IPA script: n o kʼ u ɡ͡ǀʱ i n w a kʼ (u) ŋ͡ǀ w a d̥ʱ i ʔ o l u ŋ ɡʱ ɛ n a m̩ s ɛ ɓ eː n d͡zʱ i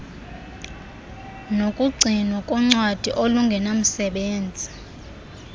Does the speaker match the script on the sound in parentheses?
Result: no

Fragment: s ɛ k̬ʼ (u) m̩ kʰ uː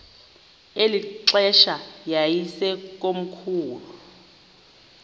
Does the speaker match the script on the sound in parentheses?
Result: no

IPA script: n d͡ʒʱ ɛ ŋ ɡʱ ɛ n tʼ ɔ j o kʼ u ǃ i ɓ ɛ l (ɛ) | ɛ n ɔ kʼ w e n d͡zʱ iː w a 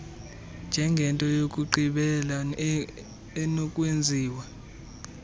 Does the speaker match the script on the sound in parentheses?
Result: no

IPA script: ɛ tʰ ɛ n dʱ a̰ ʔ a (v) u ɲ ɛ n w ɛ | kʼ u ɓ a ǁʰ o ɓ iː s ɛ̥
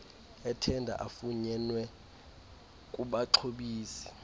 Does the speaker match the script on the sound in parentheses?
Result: no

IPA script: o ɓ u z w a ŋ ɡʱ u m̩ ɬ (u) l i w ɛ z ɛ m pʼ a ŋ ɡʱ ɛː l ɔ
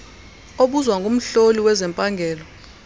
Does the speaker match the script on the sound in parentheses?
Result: no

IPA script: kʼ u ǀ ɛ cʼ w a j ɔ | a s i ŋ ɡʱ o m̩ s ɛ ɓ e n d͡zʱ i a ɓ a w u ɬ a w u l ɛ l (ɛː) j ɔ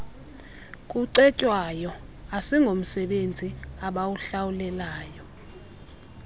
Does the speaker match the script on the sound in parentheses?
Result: no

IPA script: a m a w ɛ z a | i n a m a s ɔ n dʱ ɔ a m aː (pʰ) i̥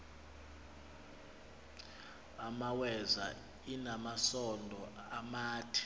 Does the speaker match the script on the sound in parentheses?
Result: no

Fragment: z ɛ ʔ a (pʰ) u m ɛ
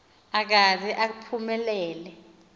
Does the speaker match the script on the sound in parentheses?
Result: yes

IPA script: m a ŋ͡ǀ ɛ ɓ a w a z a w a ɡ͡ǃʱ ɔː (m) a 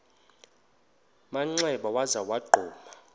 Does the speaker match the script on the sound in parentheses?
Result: yes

